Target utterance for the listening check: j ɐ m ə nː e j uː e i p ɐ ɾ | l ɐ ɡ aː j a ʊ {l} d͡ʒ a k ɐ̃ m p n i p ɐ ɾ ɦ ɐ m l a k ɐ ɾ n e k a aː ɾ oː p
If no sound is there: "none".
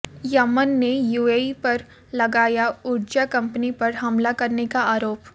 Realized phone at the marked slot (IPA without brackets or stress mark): ɾ